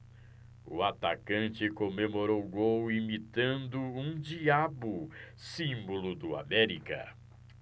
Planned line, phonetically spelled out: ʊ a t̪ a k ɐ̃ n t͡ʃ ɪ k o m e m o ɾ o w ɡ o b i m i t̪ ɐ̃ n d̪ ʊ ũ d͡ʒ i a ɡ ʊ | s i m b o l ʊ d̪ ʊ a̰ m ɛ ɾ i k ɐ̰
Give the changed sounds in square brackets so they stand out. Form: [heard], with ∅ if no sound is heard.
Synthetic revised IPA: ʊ a t̪ a k ɐ̃ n t͡ʃ ɪ k o m e m o ɾ o w ɡ o [w] i m i t̪ ɐ̃ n d̪ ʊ ũ d͡ʒ i a [b] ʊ | s [ĩ] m b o l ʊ d̪ ʊ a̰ m ɛ ɾ i k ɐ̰